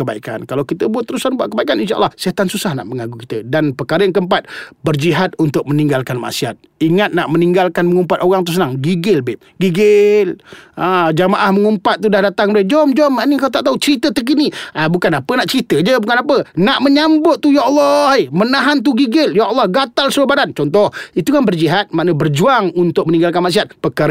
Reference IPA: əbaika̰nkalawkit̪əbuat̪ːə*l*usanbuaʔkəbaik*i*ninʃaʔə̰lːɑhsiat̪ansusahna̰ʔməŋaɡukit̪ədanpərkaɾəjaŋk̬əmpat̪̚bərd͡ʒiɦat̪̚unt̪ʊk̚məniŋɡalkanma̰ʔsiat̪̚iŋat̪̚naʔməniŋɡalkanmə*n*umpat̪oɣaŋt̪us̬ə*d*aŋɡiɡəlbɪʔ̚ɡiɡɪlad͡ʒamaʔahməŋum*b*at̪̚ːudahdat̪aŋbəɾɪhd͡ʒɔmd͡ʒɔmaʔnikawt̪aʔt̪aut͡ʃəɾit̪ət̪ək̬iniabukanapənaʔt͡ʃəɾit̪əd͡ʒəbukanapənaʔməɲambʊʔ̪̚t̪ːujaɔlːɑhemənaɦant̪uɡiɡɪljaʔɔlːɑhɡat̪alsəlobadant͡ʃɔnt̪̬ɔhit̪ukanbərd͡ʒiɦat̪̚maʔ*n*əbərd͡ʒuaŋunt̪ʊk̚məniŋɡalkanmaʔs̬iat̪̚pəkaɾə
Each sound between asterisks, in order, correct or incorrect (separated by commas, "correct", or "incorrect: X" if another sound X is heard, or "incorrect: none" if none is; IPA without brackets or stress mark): incorrect: ɾ, incorrect: a, incorrect: ŋ, incorrect: n, incorrect: p, correct